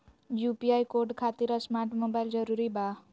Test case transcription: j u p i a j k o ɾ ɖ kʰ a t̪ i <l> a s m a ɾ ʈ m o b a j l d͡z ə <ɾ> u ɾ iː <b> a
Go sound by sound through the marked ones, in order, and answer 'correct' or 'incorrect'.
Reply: incorrect, correct, correct

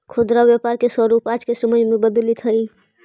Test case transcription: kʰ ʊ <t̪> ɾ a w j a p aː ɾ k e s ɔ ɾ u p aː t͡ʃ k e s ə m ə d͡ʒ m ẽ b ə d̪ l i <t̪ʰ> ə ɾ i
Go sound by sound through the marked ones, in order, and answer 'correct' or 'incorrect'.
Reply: incorrect, correct

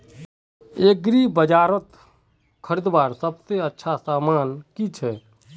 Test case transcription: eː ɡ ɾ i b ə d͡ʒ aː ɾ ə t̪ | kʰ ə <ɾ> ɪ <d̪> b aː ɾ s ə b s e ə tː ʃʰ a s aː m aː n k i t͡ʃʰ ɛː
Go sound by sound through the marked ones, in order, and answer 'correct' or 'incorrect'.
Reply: correct, correct

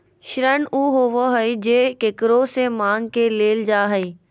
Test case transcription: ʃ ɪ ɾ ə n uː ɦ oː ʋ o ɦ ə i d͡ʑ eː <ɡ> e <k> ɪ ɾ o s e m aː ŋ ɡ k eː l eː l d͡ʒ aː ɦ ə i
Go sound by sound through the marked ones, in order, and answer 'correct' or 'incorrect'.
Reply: incorrect, correct

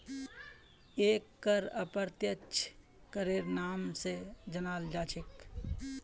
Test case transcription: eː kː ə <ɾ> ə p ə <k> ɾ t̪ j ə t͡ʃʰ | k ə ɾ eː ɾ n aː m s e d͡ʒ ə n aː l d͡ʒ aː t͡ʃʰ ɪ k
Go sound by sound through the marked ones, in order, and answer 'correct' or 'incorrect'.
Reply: correct, incorrect

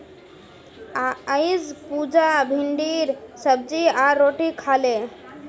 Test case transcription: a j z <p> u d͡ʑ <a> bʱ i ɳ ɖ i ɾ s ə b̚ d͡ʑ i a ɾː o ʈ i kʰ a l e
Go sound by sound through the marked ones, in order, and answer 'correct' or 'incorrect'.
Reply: correct, correct

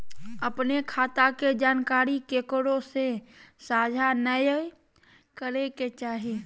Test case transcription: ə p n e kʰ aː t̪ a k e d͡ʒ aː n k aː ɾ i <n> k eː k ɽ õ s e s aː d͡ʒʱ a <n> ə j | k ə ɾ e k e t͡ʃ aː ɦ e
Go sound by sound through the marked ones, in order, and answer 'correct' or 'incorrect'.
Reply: incorrect, correct

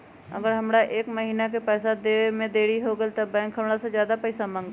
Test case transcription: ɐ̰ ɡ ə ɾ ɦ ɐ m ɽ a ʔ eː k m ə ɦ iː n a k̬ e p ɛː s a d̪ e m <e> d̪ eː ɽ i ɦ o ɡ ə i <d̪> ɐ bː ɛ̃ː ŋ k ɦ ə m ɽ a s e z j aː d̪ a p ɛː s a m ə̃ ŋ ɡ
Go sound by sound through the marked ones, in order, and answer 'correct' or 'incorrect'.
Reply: incorrect, incorrect

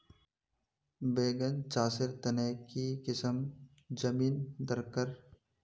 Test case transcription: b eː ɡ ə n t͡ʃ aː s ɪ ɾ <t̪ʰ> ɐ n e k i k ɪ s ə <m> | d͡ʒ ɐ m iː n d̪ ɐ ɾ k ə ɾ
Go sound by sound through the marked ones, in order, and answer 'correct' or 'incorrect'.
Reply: incorrect, correct

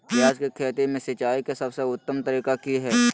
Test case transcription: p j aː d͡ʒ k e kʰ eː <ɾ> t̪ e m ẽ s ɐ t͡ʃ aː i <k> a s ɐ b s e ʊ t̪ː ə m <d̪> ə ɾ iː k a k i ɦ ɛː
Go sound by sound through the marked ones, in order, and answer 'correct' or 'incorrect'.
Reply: incorrect, correct, incorrect

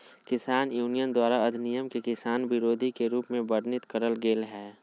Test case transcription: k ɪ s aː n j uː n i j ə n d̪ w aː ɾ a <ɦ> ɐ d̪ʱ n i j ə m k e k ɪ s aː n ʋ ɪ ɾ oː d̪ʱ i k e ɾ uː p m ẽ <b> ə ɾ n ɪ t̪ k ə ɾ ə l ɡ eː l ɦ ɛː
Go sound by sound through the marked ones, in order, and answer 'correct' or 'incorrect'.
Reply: incorrect, correct

